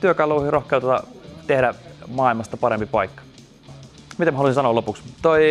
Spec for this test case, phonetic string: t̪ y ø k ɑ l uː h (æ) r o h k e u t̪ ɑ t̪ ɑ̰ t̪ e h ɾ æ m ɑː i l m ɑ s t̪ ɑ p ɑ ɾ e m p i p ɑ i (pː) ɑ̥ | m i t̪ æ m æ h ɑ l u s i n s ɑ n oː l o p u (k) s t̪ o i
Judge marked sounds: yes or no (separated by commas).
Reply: no, no, yes